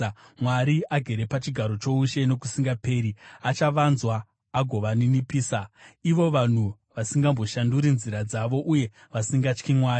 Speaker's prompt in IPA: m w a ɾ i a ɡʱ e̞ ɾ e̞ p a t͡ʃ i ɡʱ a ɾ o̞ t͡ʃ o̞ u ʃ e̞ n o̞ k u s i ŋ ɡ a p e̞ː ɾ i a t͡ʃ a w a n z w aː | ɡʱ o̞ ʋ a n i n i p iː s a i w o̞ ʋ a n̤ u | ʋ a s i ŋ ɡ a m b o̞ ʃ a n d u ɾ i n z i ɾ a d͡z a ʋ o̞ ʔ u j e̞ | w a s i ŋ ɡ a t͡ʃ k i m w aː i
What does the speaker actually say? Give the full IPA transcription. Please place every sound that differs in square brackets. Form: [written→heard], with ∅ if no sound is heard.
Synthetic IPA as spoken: m w a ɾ i a ɡʱ e̞ ɾ e̞ p a t͡ʃ i ɡʱ a ɾ o̞ t͡ʃ o̞ u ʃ e̞ n o̞ k u s i ŋ ɡ a p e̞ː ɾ i a t͡ʃ a [w→ʋ] a n z w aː | ɡʱ o̞ ʋ a n i n i p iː s a i [w→ʋ] o̞ ʋ a n̤ u | ʋ a s i ŋ ɡ a m b o̞ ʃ a n d u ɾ i n z i ɾ a d͡z a ʋ o̞ ʔ u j e̞ | [w→ʋ] a s i ŋ ɡ a t͡ʃ k i m w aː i